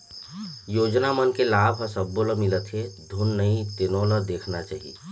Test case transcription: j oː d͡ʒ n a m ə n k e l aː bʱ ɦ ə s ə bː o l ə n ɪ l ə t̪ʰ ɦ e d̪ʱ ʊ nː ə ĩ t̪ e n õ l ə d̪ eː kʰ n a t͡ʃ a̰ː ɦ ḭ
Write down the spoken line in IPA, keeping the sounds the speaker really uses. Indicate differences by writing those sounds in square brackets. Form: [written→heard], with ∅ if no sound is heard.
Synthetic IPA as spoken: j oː d͡ʒ n a m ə n k e l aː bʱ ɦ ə s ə bː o l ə [n→m] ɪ l ə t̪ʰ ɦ e d̪ʱ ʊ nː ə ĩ t̪ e n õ l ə d̪ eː kʰ n a t͡ʃ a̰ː ɦ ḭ